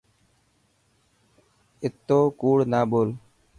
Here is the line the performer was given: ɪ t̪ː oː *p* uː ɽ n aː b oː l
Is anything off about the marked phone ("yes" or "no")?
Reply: yes